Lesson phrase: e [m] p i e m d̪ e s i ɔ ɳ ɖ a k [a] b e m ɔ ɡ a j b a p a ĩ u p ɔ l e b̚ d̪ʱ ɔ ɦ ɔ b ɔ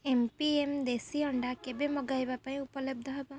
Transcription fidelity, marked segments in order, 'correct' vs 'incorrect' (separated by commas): correct, incorrect